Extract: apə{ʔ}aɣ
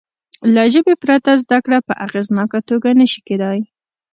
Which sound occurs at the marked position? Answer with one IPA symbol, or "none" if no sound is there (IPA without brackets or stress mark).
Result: ʔ